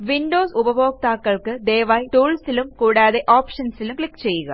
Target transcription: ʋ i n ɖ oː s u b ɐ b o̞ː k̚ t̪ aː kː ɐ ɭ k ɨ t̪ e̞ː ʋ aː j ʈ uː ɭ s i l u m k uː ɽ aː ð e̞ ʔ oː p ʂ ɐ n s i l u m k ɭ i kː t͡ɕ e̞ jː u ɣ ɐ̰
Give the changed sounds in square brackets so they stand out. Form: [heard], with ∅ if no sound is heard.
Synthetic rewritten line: ʋ i n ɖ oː s u b ɐ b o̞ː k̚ t̪ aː kː ɐ ɭ k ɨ [d̪] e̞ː ʋ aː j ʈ uː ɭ s i l u m k uː ɽ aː ð e̞ ʔ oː p ʂ ɐ n s i l u m k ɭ i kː t͡ɕ e̞ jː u ɣ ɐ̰